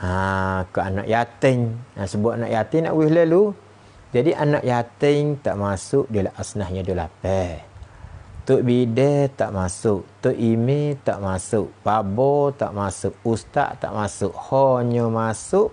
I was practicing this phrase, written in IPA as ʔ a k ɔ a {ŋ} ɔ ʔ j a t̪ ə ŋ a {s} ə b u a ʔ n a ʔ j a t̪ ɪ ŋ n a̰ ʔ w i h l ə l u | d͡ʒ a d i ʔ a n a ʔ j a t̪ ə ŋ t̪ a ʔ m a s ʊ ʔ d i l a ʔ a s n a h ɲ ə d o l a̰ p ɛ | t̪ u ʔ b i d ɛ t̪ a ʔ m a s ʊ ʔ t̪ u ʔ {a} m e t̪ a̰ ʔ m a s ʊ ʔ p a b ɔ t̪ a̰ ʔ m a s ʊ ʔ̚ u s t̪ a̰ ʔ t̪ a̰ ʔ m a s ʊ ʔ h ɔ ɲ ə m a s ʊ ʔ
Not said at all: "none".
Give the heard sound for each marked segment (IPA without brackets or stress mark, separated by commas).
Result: n, s, i